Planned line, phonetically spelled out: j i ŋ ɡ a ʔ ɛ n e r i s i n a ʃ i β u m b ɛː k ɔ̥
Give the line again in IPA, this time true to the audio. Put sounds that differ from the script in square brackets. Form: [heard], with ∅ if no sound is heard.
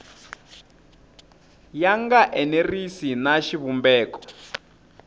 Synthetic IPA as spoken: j [a] ŋ ɡ a ʔ ɛ n e r i s i n a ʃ i β u m b ɛː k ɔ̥